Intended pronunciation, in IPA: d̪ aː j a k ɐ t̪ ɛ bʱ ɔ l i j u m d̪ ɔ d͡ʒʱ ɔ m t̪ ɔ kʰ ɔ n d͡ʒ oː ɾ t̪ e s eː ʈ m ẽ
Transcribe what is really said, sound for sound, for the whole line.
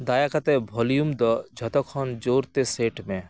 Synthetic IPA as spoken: d̪ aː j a k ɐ t̪ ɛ bʱ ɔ l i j u m d̪ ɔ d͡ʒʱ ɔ t̪ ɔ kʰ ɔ n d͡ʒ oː ɾ t̪ e s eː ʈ m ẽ

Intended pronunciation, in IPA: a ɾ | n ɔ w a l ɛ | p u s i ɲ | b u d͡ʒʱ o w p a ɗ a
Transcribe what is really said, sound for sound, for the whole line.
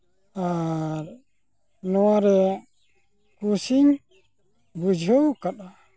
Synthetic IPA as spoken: a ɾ | n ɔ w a ɾ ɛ | k u s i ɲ | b u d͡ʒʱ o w k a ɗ a

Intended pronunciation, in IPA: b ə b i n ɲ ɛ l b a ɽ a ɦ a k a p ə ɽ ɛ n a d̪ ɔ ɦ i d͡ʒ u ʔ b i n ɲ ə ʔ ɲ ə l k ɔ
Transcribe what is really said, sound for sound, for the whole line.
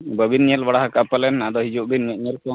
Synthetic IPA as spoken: b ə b i n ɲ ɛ l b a ɽ a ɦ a k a p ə l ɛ n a d̪ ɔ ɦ i d͡ʒ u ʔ b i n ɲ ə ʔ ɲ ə l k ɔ

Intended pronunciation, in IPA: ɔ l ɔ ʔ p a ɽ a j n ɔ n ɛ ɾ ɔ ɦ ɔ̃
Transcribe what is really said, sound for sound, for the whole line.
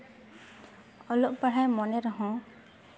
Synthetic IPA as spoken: ɔ l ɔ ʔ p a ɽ a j m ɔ n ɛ ɾ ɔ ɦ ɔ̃

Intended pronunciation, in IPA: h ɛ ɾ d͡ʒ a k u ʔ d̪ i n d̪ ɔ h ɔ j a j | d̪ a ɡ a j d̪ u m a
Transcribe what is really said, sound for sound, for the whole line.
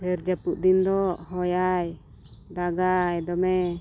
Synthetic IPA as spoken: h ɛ ɾ d͡ʒ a p u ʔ d̪ i n d̪ ɔ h ɔ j a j | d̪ a ɡ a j d̪ ɔ m ɛ

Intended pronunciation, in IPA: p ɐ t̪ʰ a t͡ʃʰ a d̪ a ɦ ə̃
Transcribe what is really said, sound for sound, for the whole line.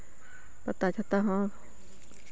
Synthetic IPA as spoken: p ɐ t̪ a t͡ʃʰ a t̪ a ɦ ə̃

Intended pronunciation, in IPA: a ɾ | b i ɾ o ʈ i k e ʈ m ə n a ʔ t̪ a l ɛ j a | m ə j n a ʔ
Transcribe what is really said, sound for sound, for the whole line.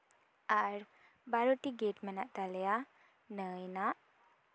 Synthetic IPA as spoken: a ɾ | b a ɾ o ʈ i ɡ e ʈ m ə n a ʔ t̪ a l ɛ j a | n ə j n a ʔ

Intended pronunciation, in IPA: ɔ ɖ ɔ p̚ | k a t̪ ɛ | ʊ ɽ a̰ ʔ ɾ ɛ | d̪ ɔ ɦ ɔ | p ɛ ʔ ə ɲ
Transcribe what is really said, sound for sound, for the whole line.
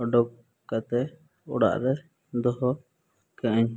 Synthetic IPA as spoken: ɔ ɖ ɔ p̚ | k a t̪ ɛ | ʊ ɽ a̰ ʔ ɾ ɛ | d̪ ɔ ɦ ɔ | k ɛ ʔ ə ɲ

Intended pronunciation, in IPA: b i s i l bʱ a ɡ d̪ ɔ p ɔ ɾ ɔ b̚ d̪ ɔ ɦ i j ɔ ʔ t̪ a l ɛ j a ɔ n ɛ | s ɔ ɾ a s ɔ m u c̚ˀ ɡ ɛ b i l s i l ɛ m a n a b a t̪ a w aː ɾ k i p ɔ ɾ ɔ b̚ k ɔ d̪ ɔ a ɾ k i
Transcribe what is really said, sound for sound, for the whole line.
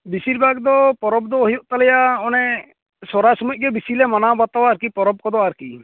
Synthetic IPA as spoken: b i s i ɾ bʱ a ɡ d̪ ɔ p ɔ ɾ ɔ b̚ d̪ ɔ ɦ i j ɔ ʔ t̪ a l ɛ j a ɔ n ɛ | s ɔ ɾ a s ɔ m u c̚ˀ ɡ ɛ b i s i l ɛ m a n a b a t̪ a w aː ɾ k i p ɔ ɾ ɔ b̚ k ɔ d̪ ɔ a ɾ k i

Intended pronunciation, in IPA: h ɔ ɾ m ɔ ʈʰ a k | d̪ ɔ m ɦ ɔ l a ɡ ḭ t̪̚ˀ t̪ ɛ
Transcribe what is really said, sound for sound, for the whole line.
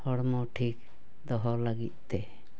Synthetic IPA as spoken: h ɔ ɽ m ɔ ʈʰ i k | d̪ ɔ ɦ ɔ l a ɡ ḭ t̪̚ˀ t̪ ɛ

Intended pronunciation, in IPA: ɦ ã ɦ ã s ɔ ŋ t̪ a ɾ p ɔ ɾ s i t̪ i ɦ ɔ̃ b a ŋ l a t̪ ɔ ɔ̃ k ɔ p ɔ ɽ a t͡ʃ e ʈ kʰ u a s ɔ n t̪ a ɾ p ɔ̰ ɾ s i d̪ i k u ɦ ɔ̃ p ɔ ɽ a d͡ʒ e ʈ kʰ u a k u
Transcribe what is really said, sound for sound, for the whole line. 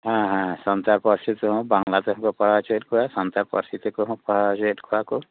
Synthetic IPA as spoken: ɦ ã ɦ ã s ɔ n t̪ a ɾ p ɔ ɾ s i t̪ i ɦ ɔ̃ b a ŋ l a t̪ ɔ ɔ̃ k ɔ p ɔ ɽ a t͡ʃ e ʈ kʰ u a s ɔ n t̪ a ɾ p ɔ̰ ɾ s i t̪ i k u ɦ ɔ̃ p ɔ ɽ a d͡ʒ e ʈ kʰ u a k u

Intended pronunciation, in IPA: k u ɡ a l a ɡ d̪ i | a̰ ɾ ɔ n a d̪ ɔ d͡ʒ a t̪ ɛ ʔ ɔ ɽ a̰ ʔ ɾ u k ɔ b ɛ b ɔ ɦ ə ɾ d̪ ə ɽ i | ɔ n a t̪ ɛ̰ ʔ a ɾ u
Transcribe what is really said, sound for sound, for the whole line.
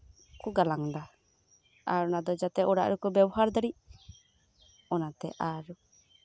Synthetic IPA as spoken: k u ɡ a l a ŋ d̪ a | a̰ ɾ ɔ n a d̪ ɔ d͡ʒ a t̪ ɛ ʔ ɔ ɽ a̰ ʔ ɾ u k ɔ b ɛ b ɔ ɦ a ɾ d̪ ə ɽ i | ɔ n a t̪ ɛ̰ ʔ a ɾ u

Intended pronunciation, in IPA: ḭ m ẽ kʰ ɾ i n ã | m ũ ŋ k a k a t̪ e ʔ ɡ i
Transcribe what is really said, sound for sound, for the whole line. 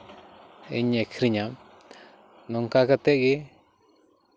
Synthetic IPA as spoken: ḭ ɲ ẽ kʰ ɾ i ɲ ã | n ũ ŋ k a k a t̪ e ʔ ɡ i

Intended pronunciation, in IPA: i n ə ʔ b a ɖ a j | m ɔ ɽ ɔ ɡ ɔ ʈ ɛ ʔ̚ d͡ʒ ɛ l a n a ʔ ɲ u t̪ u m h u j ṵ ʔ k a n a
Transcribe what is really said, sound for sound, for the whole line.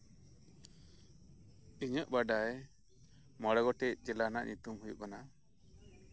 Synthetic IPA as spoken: i ɲ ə ʔ b a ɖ a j | m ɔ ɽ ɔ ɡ ɔ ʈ ɛ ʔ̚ d͡ʒ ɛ l a n a ʔ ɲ u t̪ u m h u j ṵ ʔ k a n a

